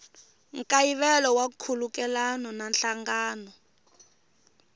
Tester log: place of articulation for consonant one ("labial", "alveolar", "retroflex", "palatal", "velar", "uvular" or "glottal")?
velar